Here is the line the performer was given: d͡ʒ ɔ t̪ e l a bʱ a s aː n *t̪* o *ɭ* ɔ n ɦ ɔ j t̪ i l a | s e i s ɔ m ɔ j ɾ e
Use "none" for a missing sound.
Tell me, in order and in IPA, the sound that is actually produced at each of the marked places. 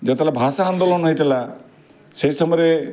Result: d̪, l

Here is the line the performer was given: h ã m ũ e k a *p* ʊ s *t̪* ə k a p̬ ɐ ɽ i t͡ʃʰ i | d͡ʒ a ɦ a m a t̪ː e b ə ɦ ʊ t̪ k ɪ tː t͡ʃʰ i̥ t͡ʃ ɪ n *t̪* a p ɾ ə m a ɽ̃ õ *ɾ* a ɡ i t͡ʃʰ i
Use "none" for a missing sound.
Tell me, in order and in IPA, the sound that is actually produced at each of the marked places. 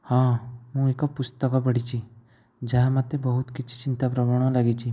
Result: p, t̪, t̪, l

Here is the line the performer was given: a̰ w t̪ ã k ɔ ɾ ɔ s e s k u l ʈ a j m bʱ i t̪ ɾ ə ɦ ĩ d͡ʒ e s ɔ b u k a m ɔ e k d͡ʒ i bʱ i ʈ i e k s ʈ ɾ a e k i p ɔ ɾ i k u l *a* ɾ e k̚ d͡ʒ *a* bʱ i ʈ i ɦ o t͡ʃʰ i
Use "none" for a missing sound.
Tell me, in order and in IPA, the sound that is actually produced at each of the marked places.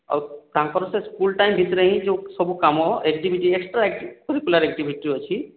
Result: a, i

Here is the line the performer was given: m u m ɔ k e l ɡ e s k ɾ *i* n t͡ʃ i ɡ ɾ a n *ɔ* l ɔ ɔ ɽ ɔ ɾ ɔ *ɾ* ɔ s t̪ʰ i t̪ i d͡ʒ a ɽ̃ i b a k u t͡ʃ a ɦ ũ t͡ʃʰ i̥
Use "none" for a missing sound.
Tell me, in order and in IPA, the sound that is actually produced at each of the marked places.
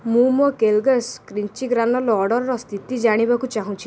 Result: i, ɔ, ɾ

